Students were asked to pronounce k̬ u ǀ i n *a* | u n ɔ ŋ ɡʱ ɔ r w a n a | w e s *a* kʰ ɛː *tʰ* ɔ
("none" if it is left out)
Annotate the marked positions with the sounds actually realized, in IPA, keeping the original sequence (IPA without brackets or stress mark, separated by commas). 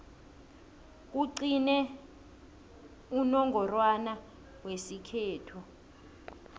ɛ, i, tʰ